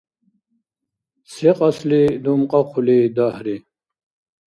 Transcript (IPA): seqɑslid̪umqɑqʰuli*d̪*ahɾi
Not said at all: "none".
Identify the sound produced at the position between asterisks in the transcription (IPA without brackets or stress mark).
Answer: d̪